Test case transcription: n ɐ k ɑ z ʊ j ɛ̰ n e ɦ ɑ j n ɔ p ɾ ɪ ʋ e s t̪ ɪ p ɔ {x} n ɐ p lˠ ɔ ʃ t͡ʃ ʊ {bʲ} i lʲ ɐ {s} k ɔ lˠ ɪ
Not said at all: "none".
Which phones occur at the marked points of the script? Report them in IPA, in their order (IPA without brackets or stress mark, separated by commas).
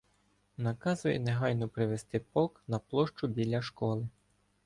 k, bʲ, ʃ